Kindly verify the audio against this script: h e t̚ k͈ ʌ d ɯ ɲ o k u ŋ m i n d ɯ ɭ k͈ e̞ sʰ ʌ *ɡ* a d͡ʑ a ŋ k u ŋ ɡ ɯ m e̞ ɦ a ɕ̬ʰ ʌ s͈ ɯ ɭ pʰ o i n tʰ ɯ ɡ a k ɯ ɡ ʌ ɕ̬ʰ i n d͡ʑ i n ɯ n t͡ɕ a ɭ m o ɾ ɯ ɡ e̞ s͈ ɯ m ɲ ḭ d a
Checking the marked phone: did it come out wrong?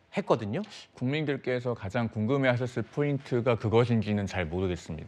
yes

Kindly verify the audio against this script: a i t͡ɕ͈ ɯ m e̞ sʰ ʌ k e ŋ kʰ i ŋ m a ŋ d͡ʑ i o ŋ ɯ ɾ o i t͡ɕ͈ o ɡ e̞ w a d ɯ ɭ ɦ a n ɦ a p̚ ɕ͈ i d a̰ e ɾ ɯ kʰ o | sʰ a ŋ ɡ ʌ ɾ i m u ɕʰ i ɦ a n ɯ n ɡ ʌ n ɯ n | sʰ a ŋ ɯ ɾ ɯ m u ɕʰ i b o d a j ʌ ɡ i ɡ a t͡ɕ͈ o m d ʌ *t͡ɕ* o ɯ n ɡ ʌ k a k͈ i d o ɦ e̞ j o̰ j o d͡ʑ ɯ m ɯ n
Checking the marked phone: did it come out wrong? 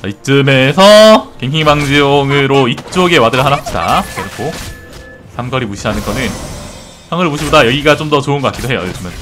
no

